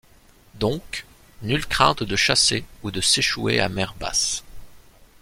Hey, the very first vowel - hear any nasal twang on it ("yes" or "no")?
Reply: yes